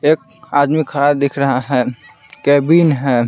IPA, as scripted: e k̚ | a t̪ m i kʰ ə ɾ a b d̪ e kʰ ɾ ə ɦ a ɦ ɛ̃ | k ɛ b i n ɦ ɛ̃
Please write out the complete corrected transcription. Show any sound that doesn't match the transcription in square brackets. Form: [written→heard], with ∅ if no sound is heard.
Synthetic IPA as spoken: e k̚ | a [t̪→d̪] m i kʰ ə ɾ a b d̪ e kʰ ɾ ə ɦ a ɦ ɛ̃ | k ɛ b i n ɦ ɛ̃